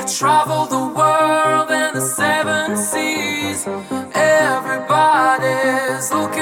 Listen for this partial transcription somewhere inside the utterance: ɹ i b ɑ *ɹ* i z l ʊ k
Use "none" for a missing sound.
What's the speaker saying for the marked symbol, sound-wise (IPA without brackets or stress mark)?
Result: ɾ